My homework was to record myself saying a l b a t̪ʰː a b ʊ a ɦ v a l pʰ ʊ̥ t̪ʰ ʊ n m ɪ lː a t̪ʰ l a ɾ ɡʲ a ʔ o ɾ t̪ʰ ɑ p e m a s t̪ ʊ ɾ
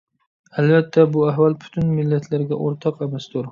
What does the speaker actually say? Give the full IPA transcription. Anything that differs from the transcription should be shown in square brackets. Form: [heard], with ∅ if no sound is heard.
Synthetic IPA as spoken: a l b a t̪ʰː a b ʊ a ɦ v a l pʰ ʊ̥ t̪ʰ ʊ n m ɪ lː a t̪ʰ l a ɾ ɡʲ a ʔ o ɾ t̪ʰ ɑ [q] e m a s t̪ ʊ ɾ